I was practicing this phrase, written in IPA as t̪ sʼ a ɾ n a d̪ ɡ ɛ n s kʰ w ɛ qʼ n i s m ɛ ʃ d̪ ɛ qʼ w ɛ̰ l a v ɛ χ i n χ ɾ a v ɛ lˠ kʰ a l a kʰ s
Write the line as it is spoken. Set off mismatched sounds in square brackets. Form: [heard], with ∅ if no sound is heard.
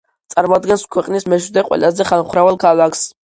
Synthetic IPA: t̪ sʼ a ɾ [m] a d̪ ɡ ɛ n s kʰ w ɛ qʼ n i s m ɛ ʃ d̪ ɛ qʼ w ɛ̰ l a [z] ɛ χ [a] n χ ɾ a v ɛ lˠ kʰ a l a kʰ s